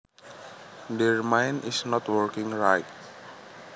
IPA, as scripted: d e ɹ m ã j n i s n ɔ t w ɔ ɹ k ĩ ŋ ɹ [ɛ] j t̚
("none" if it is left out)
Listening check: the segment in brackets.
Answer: a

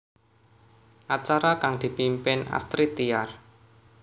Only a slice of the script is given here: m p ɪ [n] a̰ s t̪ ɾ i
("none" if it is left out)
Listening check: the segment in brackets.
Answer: n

